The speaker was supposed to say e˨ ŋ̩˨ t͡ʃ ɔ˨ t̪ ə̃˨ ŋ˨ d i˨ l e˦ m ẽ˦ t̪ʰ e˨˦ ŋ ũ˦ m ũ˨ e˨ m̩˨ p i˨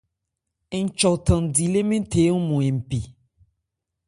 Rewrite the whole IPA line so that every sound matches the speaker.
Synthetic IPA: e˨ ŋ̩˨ t͡ʃ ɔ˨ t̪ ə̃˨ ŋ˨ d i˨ l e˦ m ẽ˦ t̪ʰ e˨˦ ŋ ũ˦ m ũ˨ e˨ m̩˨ p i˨

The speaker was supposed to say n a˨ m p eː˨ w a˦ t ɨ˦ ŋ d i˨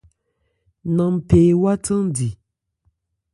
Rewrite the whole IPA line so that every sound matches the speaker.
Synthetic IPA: n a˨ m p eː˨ w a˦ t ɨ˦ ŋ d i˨

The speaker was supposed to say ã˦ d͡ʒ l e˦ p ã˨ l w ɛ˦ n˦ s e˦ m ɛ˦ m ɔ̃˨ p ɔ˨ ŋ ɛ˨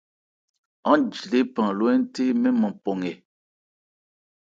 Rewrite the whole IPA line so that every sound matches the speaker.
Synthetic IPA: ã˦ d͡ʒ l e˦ p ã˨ l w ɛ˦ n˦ t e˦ m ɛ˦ m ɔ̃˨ p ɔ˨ ŋ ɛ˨

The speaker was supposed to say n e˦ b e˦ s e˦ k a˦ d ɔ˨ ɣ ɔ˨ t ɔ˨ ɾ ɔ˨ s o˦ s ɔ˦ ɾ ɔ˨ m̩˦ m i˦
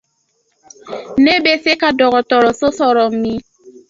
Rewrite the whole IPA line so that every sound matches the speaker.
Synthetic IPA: n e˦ b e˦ s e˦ k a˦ d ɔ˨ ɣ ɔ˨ t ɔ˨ ɾ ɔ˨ s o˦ s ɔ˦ ɾ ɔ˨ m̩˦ m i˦

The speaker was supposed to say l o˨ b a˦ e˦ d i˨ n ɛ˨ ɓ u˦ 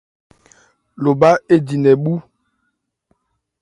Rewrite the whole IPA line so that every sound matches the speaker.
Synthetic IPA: l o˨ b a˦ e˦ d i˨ n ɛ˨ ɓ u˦

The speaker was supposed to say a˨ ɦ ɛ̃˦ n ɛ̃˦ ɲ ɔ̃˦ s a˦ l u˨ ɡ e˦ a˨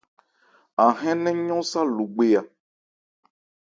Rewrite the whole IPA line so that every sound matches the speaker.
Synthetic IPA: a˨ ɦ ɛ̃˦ n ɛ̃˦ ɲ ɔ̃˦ s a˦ l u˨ ɡ͡b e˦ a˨

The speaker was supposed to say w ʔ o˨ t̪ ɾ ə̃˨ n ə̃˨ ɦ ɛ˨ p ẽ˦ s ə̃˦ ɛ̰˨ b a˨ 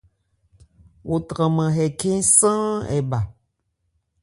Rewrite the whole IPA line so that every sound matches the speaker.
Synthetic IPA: w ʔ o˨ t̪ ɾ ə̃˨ m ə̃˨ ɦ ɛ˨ k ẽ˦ s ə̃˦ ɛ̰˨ b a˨

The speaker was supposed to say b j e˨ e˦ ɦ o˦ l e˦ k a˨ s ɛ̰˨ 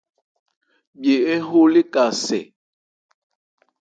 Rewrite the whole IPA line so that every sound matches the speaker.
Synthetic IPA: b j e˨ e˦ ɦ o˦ l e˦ k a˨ s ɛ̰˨

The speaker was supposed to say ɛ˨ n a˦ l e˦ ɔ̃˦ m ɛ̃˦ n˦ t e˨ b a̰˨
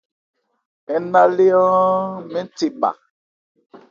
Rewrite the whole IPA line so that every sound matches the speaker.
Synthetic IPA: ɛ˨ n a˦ l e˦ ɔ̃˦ m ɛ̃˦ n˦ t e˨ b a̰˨

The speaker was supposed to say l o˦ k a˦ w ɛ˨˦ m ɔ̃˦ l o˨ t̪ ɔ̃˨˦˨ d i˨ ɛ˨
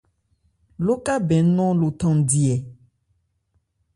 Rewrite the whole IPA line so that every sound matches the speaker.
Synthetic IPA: l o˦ k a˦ b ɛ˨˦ n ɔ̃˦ l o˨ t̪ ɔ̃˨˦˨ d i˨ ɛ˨

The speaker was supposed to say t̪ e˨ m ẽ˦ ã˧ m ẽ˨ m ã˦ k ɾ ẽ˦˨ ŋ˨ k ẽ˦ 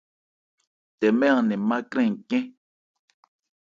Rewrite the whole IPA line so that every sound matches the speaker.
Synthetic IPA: t̪ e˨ m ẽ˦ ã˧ n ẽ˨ m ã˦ k ɾ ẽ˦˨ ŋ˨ k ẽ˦

